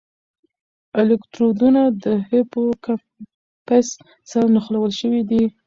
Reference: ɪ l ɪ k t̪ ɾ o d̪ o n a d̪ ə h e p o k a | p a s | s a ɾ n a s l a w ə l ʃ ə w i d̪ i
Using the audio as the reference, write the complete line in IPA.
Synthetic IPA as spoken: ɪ l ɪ k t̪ ɾ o d̪ u n a d̪ ə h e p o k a | p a s | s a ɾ n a x l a w ə l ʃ ə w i d̪ i